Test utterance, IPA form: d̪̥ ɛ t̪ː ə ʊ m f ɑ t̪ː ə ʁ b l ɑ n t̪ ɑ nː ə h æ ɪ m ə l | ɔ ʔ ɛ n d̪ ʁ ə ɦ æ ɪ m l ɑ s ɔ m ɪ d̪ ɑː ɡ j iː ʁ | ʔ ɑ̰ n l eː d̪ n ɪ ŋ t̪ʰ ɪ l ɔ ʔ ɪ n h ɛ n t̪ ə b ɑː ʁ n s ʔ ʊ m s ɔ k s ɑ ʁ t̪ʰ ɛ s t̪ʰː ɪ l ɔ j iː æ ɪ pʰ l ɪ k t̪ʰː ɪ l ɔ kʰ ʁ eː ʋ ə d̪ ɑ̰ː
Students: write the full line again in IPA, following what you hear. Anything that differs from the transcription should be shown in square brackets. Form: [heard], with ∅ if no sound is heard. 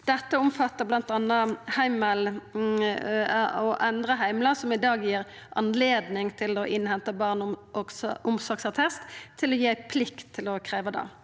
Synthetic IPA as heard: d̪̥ ɛ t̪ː ə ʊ m f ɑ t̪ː ə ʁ b l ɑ n t̪ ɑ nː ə h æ ɪ m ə l | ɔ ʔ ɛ n d̪ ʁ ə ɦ æ ɪ m l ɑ s ɔ m ɪ d̪ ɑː ɡ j iː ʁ | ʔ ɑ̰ n l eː d̪ n ɪ ŋ t̪ʰ ɪ l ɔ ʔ ɪ n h ɛ n t̪ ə b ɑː ʁ n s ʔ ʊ m s ɔ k s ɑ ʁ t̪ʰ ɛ s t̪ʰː ɪ l ɔ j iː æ ɪ pʰ l ɪ k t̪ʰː ɪ l ɔ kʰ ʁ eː ʋ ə d̪ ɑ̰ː